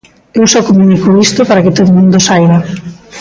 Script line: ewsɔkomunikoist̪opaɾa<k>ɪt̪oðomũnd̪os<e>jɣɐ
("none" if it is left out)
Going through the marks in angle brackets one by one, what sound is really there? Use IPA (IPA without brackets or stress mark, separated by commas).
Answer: k, a